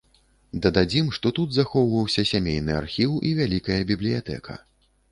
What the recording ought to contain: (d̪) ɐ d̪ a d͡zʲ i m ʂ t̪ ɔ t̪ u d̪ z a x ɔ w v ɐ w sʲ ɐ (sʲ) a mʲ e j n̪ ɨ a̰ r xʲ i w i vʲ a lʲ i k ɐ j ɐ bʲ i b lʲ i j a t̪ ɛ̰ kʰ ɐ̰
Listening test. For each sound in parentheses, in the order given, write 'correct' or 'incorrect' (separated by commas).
correct, correct